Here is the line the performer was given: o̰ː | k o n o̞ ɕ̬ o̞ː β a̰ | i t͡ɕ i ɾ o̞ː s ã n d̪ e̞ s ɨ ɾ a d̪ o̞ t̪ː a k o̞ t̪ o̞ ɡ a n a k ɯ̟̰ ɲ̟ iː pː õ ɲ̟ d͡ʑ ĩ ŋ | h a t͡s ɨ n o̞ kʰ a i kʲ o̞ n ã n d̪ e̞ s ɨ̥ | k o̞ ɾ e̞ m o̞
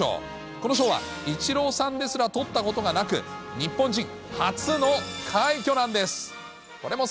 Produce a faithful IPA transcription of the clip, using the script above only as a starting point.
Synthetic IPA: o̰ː | k o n o̞ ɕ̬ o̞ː β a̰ | i t͡ɕ i ɾ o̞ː s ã n d̪ e̞ s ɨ ɾ a t̪ o̞ t̪ː a k o̞ t̪ o̞ ɡ a n a k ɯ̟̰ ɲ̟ i pː õ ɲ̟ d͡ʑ ĩ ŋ | h a t͡s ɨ n o̞ kʰ a i kʲ o̞ n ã n d̪ e̞ s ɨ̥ | k o̞ ɾ e̞ m o̞